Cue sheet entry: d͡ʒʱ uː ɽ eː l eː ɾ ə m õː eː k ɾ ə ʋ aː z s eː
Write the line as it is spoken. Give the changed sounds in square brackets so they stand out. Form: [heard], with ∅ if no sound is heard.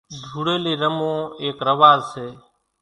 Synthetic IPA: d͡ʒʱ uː ɽ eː l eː ɾ ə m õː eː k ɾ ə ʋ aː z s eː